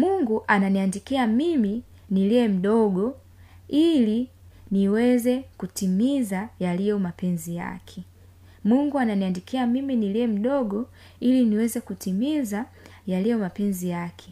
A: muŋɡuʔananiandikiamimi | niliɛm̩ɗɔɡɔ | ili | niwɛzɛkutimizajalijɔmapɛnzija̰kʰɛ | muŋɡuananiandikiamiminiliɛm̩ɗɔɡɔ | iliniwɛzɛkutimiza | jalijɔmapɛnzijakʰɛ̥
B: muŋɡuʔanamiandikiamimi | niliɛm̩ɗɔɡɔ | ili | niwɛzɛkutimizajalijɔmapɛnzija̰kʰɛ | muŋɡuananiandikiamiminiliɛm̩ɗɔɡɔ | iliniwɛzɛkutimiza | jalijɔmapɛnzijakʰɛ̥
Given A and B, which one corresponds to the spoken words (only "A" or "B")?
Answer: A